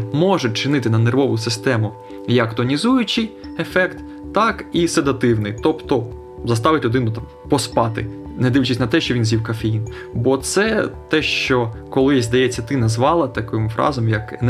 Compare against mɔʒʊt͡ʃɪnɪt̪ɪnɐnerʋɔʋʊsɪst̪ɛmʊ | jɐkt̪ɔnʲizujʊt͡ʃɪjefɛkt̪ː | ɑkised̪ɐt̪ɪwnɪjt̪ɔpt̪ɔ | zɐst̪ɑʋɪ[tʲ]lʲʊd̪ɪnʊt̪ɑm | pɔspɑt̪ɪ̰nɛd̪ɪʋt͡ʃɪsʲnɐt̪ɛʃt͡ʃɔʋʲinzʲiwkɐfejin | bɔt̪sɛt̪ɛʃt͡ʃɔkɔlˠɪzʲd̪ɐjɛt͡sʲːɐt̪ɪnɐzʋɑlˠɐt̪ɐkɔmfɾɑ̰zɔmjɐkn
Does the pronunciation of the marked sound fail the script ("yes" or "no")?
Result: no